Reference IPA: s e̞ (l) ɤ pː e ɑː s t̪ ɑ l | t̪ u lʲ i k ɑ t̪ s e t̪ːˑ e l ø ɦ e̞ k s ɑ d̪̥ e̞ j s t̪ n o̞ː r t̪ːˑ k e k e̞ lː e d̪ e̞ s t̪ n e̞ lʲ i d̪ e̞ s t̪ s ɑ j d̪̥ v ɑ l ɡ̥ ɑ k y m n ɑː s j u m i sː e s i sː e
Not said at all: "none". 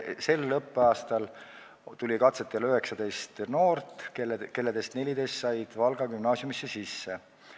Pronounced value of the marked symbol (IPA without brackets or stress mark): lː